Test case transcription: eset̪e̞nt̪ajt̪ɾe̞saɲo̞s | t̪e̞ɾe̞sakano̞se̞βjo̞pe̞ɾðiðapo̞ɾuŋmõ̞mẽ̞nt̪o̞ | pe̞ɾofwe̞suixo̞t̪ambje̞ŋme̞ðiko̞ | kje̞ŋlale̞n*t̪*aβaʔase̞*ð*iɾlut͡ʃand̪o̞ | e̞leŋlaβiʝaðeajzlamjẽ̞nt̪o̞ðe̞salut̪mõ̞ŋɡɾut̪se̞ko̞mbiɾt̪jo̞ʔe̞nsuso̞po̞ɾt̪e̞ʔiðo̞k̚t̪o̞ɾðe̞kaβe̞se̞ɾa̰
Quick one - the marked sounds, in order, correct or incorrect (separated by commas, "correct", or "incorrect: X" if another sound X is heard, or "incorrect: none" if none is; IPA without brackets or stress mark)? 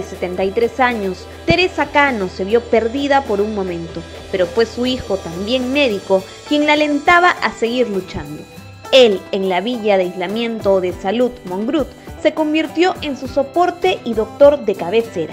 correct, incorrect: ɣ